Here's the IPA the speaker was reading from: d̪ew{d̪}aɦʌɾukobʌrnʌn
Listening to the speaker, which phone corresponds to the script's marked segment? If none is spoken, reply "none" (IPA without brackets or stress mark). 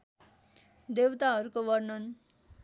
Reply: t̪